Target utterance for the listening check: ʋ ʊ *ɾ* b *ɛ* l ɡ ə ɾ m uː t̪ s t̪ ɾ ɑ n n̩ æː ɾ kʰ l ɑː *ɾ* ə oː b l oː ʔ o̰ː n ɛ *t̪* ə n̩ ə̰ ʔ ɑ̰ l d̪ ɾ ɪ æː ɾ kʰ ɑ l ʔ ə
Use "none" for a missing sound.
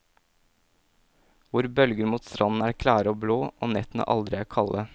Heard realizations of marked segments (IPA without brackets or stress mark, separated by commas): ɾ, œ, ɾ, t̪